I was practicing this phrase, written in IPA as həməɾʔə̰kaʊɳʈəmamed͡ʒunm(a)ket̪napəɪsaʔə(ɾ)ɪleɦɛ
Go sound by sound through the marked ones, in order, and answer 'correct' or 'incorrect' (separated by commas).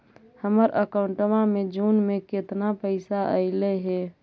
incorrect, incorrect